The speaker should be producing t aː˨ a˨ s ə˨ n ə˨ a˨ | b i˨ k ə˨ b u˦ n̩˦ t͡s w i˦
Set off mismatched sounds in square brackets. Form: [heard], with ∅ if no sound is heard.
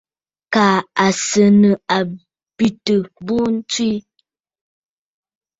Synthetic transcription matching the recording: [k] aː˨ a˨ s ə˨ n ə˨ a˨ | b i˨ [t] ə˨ b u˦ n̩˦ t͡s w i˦